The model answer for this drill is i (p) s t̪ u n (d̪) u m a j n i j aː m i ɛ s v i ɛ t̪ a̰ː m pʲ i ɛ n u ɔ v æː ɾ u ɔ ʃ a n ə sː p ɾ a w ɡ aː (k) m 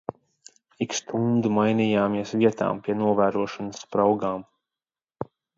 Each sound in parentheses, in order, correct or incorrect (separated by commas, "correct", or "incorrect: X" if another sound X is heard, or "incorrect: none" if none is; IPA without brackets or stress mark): incorrect: k, correct, incorrect: none